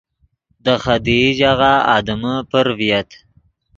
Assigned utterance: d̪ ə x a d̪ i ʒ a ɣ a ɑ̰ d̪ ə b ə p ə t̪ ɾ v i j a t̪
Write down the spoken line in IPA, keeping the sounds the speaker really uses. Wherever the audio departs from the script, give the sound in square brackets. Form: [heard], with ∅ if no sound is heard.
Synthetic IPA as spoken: d̪ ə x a d̪ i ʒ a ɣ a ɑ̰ d̪ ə [m] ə p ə [∅] ɾ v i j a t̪